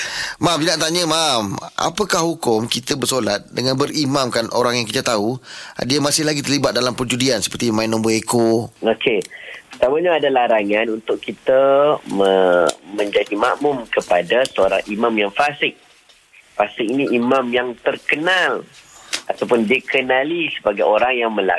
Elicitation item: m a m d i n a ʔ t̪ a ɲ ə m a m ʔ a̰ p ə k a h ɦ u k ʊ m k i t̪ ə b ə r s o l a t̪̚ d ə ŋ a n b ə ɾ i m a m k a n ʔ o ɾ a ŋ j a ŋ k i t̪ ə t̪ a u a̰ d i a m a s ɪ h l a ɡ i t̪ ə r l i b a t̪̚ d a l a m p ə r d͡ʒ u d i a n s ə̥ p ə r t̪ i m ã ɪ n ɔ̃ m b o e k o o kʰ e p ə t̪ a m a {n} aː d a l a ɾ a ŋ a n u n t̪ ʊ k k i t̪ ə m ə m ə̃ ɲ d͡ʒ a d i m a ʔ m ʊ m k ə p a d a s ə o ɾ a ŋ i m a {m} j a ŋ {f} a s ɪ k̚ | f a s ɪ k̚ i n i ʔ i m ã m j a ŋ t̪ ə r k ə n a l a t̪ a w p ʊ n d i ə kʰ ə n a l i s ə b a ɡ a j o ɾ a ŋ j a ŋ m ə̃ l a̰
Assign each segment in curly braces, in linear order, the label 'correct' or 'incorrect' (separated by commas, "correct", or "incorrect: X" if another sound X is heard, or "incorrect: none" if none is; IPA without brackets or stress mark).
incorrect: ɲ, correct, correct